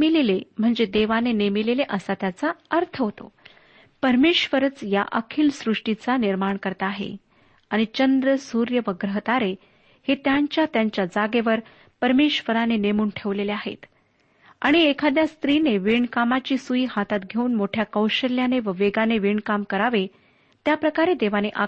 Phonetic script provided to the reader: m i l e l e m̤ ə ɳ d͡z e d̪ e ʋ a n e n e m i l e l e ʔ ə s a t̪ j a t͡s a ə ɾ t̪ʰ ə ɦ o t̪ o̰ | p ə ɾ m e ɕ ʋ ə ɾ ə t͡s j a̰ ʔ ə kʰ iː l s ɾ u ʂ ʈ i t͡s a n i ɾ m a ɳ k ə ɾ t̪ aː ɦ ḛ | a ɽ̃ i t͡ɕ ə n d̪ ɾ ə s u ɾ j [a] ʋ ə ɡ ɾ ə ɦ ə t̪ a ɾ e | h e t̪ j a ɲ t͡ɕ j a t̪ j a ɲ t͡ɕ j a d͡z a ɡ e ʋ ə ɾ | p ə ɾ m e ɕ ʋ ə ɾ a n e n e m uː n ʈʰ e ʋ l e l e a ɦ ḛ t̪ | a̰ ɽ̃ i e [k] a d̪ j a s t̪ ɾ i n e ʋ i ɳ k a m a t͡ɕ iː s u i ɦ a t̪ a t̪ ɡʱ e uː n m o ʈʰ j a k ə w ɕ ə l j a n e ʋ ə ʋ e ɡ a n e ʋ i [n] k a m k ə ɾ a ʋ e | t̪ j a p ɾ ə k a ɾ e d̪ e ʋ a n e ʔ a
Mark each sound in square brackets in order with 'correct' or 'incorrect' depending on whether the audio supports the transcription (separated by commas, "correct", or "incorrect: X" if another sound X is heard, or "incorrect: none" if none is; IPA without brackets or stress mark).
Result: incorrect: ə, incorrect: kʰ, incorrect: ɳ